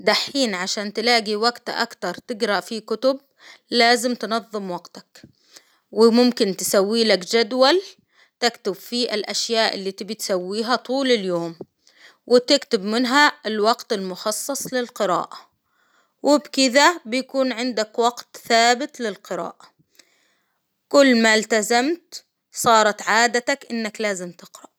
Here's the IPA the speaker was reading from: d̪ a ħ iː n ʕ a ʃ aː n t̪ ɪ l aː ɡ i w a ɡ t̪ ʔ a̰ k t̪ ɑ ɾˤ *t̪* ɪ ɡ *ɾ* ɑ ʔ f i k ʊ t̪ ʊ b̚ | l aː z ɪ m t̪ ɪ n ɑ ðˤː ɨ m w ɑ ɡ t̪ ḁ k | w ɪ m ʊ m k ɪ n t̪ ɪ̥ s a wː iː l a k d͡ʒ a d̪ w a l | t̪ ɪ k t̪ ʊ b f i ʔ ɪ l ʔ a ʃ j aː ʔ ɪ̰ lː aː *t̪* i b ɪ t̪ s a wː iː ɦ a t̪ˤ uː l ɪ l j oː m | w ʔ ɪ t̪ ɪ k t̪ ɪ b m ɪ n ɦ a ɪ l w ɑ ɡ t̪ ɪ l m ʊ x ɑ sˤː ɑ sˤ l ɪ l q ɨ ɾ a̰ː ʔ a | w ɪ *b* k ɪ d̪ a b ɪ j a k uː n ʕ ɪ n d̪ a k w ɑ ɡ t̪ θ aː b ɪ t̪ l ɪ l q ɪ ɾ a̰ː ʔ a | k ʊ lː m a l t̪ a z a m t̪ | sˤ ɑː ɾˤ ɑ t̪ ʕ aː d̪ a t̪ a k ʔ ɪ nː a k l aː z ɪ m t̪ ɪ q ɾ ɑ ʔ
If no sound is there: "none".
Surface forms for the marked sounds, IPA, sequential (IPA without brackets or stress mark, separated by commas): t̪, ɾ, t̪, b